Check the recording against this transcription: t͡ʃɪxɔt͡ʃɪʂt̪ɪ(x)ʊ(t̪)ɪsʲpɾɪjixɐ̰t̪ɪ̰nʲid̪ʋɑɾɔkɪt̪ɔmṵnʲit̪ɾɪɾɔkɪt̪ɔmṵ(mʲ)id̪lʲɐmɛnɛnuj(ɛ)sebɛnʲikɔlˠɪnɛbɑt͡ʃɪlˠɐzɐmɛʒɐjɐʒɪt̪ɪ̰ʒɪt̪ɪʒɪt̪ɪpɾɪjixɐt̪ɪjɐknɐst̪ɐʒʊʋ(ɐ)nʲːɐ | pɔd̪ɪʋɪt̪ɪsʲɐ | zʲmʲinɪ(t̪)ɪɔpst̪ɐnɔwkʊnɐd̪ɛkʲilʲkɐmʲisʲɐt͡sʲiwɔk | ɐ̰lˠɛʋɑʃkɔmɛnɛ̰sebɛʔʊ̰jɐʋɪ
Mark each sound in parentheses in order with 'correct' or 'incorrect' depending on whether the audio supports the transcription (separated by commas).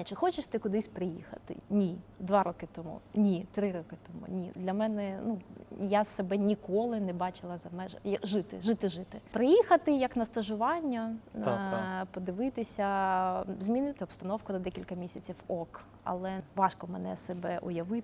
incorrect, incorrect, incorrect, incorrect, incorrect, correct